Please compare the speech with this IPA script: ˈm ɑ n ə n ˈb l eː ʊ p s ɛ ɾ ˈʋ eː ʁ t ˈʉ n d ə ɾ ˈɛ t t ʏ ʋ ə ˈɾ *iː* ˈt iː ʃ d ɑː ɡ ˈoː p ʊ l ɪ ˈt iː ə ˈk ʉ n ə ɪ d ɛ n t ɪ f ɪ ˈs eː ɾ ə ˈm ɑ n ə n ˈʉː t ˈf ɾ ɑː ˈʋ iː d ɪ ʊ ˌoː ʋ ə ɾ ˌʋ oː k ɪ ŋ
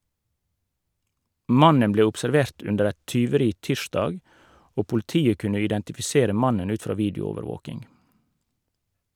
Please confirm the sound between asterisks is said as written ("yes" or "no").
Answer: yes